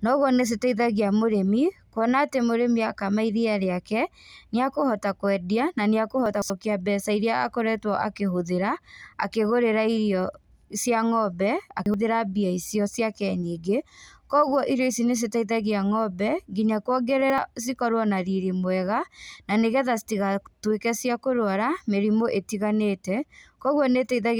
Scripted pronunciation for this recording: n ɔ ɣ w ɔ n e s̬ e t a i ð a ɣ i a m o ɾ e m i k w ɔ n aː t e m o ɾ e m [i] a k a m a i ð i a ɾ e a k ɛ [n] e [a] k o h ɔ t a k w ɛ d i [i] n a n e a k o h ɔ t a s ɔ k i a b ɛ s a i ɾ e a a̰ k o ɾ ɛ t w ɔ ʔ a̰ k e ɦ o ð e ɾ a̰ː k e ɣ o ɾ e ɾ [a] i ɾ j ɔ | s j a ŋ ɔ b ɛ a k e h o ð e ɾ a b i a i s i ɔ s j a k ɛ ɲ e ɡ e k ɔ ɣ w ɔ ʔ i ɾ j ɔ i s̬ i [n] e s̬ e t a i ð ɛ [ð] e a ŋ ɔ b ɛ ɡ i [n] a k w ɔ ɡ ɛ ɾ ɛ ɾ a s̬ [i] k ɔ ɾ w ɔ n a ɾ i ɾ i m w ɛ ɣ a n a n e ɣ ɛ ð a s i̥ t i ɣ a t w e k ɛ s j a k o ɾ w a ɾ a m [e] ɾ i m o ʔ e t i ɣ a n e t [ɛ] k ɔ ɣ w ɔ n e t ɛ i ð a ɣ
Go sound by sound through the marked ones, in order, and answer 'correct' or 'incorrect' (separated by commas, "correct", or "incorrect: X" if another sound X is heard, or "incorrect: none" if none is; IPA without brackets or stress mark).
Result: correct, correct, correct, incorrect: a, correct, correct, incorrect: ɣ, incorrect: ɲ, correct, correct, correct